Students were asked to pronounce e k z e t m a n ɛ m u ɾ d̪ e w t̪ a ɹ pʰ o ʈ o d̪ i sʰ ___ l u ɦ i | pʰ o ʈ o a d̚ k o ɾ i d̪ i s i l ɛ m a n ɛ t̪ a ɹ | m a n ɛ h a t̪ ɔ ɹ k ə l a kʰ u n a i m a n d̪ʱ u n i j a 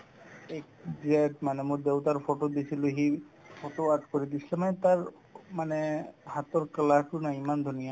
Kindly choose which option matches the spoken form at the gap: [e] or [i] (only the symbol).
i